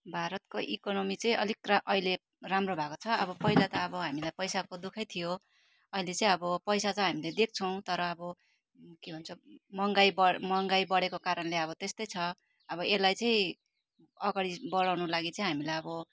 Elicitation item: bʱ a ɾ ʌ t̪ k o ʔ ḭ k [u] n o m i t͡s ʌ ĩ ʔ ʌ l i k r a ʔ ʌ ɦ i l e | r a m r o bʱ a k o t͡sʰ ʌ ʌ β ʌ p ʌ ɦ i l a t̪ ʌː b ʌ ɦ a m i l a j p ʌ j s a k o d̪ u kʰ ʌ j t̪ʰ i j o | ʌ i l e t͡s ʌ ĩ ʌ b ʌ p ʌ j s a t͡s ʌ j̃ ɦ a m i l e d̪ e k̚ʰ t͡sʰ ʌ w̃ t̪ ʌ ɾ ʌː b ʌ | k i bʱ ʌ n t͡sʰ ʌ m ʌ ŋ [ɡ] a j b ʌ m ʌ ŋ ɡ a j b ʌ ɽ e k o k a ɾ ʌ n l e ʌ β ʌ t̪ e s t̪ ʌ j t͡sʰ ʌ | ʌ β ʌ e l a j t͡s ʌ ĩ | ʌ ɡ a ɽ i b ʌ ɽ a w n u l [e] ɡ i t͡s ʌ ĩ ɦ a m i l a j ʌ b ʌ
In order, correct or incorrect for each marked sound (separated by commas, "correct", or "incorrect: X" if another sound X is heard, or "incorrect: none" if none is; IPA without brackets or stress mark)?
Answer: incorrect: o, correct, incorrect: a